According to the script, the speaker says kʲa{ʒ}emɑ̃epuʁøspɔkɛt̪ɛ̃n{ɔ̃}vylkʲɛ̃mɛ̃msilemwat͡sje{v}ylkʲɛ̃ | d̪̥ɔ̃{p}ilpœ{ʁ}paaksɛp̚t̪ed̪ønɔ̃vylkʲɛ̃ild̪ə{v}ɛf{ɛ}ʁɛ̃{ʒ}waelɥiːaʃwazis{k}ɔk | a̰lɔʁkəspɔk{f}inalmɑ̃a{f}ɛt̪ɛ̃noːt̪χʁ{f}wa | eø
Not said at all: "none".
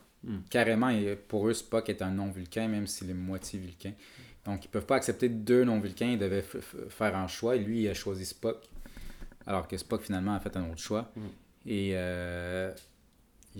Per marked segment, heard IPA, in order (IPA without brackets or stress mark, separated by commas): ʁ, ɔ̃, v, k, v, v, ɛː, ʃ, p, f, f, ʃ